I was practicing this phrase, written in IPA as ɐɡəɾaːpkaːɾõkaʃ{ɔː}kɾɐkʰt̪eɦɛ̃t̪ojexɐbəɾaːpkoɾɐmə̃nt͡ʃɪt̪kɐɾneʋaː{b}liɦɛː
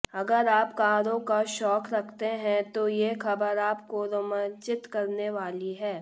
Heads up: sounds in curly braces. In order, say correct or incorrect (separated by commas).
correct, incorrect